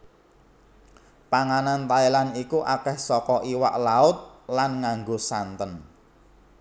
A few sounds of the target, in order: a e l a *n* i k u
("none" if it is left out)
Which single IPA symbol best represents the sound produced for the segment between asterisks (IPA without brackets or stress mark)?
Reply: n